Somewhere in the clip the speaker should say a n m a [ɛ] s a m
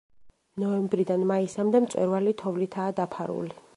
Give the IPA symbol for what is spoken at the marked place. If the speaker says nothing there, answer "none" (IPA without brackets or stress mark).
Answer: i